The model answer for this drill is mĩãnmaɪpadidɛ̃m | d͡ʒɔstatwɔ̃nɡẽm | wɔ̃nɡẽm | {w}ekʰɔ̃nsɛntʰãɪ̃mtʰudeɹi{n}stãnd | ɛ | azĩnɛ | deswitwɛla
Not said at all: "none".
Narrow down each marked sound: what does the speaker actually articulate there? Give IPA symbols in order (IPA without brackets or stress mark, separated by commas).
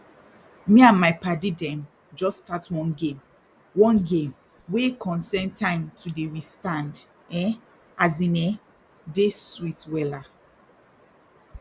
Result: w, none